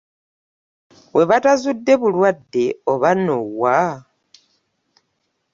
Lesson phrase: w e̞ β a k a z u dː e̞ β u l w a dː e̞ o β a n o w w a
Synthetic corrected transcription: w e̞ β a t a z u dː e̞ β u l w a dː e̞ o β a n o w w a

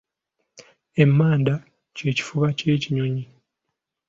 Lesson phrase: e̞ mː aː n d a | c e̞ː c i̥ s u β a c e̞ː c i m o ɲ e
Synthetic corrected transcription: e̞ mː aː n d a | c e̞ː c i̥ f u β a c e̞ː c i ɲ o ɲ i

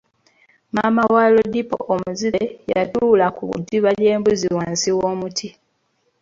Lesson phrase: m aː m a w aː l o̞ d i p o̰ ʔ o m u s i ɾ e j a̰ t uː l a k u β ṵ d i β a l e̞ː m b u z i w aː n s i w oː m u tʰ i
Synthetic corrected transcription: m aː m a w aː l o̞ d i p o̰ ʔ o m u z i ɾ e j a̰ t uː l a k u β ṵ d i β a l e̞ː m b u z i w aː n s i w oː m u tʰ i

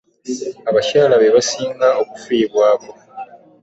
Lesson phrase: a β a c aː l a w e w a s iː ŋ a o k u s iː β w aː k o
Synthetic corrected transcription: a β a c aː l a β e β a s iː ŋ a o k u f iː β w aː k o

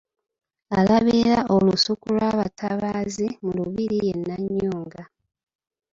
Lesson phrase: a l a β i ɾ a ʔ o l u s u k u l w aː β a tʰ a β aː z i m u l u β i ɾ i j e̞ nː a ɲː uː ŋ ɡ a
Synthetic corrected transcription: a l a β i ɾ a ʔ o l u s u k u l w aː β a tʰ a β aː z i m u l u β i ɾ i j e̞ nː a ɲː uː ŋ ɡ a

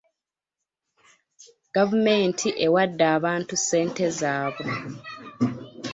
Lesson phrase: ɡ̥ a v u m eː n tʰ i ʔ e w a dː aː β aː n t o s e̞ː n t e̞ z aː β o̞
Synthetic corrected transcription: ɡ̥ a v u m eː n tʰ i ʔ e w a dː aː β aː n t u s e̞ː n t e̞ z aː β o̞

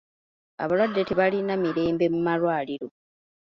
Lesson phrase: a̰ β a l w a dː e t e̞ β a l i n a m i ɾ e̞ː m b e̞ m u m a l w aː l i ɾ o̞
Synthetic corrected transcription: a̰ β a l w a dː e t e̞ β a l i n a m i ɾ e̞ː m b e̞ m u m a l w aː l i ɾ o̞

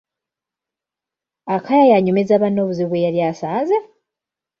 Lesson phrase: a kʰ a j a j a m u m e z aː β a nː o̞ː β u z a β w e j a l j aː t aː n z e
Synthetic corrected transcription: a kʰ a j a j a ɲ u m e z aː β a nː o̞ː β u z i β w e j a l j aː s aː n z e

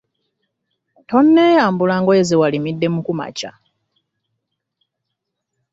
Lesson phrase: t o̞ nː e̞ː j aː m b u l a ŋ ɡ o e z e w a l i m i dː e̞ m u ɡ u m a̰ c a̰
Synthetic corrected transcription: t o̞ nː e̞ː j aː m b u l a ŋ ɡ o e z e w a l i m i dː e̞ m u k u m a̰ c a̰

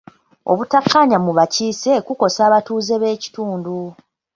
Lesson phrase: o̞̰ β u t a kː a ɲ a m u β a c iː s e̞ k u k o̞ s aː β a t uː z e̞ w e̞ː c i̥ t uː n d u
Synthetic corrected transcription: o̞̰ β u t a kː a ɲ a m u β a c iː s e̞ k u k o̞ s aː β a t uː z e̞ β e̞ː c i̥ t uː n d u

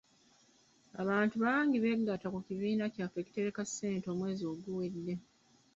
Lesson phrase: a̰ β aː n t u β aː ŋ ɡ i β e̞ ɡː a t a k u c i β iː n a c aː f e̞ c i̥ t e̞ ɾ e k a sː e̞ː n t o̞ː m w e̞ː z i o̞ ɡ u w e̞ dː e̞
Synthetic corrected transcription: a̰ β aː n t u β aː ŋ ɡ i β e̞ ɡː a t a k u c i β iː n a c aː f e̞ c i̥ t e̞ ɾ e k a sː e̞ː n t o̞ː m w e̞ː z i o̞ ɡ u w e̞ dː e̞

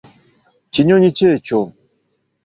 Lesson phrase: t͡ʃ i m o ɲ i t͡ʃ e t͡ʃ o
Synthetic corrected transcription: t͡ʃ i ɲ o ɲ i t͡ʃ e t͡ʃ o

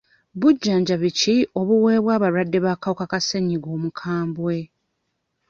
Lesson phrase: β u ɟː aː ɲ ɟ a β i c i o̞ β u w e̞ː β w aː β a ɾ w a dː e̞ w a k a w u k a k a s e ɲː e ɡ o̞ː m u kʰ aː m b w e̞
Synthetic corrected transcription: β u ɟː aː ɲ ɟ a β i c i o̞ β u w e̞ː β w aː β a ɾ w a dː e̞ β a k a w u k a k a s e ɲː i ɡ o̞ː m u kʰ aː m b w e̞

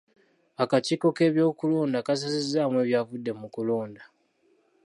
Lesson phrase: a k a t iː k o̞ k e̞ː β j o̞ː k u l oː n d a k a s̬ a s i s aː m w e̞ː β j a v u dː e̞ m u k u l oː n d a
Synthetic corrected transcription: a k a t iː k o̞ k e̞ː β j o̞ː k u l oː n d a k a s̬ a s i z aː m w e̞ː β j a v u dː e̞ m u k u l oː n d a

